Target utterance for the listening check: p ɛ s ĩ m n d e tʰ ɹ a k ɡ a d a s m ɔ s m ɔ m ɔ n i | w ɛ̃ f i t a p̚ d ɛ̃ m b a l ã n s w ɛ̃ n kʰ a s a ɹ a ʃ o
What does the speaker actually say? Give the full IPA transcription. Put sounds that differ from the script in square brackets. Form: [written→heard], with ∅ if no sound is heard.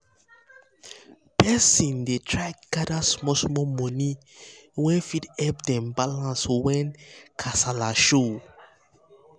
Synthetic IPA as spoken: p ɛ s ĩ [m→∅] n d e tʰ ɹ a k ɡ a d a s m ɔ s m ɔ m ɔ n i | w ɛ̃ f i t [a→ɛ] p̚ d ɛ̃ m b a l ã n s w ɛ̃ n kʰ a s a [ɹ→l] a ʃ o